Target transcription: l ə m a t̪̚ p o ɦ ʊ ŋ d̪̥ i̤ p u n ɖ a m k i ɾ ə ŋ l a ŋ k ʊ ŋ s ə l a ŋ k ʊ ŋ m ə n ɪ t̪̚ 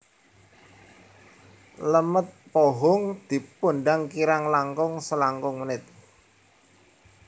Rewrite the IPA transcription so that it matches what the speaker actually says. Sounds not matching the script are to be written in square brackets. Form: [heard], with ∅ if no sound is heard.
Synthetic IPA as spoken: l ə m [ə] t̪̚ p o ɦ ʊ ŋ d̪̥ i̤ p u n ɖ a [ŋ] k i ɾ [a] ŋ l a ŋ k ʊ ŋ s ə l a ŋ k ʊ ŋ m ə n ɪ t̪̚